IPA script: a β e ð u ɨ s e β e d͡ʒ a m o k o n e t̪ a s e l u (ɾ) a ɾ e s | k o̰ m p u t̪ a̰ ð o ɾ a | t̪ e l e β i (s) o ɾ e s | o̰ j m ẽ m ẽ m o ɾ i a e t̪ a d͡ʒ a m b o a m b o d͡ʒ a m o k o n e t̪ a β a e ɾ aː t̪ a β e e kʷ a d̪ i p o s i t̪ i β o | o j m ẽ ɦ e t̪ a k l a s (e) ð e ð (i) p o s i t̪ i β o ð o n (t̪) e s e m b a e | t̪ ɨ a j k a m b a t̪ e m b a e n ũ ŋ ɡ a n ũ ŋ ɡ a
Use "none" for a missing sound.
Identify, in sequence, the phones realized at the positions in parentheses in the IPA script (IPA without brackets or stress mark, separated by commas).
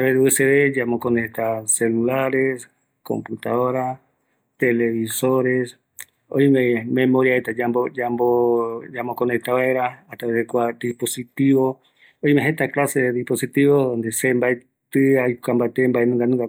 l, s, e, i, d̪